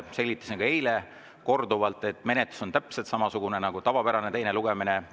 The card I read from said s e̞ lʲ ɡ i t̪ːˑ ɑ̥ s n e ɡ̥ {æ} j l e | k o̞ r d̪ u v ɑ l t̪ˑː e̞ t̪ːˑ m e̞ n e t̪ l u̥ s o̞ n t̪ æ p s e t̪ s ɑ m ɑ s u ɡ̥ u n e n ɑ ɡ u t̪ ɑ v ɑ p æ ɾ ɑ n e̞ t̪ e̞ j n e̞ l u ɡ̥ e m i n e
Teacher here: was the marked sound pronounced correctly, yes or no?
no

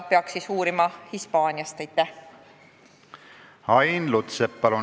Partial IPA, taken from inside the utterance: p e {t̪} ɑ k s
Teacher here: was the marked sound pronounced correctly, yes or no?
no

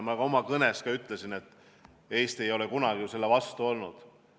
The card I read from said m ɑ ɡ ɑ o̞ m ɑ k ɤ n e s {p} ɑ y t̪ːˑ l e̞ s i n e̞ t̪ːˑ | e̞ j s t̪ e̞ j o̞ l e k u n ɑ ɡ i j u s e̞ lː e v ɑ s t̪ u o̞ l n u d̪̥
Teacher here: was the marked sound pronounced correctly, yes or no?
no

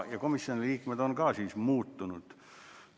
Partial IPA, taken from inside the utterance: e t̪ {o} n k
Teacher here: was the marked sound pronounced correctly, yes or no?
yes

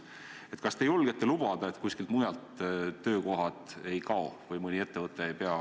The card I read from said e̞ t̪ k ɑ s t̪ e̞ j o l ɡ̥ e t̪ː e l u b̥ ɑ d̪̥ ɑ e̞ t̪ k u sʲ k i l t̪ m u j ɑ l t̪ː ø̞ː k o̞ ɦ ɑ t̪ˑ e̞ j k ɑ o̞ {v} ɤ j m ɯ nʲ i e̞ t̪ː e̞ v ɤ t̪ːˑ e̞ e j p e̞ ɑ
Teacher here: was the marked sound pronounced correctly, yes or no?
yes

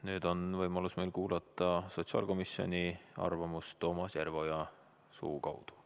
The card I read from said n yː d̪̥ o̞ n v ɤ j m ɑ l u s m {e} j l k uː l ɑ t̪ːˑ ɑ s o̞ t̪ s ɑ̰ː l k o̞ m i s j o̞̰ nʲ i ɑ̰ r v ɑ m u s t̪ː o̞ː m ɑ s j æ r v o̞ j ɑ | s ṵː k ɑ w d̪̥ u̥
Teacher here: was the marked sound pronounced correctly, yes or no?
yes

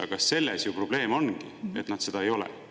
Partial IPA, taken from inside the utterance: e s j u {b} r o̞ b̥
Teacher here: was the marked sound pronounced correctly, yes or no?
no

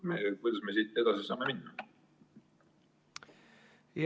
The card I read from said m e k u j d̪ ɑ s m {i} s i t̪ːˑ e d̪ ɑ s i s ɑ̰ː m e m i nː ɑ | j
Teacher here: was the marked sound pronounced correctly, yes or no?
no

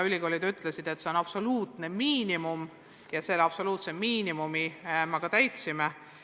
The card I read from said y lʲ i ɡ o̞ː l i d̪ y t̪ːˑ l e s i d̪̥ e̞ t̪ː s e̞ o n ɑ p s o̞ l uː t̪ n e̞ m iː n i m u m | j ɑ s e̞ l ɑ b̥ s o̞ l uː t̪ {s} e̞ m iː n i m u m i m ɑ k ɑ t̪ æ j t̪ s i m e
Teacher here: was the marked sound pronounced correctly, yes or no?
yes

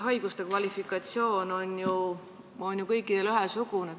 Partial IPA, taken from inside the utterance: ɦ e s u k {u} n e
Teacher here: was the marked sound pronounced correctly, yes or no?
yes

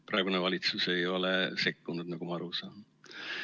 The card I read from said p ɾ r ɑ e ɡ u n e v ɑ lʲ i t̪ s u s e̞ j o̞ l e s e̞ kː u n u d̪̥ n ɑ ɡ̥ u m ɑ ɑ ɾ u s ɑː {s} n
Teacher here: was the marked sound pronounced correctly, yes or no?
no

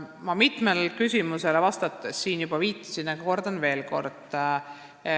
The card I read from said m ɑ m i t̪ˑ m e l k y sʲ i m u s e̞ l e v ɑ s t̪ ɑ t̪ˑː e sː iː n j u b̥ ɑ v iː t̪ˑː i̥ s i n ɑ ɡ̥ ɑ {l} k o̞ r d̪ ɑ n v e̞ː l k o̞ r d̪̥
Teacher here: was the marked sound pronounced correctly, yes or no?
no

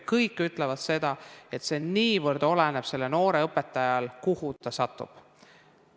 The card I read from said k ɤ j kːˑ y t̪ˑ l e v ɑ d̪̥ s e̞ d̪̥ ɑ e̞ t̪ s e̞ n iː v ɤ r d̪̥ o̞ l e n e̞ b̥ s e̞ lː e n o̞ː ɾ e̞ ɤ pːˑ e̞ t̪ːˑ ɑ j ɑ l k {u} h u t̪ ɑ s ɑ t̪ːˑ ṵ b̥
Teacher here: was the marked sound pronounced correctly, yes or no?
yes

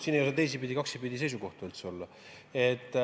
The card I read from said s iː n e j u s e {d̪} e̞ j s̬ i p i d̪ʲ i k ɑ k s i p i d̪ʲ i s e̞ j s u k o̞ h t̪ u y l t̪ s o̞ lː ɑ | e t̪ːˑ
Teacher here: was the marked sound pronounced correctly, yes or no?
no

